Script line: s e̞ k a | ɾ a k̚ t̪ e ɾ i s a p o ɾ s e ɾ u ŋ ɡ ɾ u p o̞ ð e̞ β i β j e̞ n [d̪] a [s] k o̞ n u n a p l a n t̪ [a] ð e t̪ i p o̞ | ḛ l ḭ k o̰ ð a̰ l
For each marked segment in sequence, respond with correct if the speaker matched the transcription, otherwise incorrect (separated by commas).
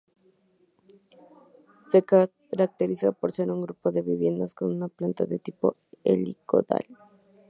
correct, correct, correct